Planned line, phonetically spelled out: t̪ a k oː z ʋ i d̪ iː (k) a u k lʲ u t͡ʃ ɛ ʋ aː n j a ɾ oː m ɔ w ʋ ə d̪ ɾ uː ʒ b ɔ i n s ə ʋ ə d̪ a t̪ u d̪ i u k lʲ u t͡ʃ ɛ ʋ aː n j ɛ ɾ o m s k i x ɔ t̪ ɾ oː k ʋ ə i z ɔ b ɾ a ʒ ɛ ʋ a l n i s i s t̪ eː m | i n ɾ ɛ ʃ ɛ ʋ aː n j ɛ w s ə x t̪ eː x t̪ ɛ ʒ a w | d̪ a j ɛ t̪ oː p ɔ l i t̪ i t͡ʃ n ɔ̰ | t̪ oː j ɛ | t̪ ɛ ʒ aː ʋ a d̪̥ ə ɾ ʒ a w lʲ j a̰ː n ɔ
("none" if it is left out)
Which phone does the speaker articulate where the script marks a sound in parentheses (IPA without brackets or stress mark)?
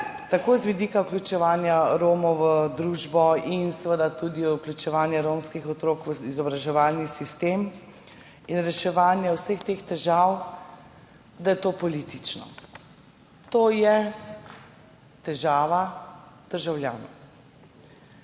k